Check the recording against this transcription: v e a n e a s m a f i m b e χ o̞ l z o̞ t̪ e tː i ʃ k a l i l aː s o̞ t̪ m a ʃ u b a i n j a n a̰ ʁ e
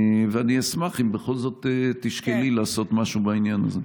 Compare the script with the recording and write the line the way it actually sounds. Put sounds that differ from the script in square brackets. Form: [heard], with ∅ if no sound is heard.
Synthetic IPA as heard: v e a n [i] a s m a [χ] i m b e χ o̞ l z o̞ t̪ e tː i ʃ k [e] l i l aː s o̞ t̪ m a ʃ u b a i n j a n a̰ [z] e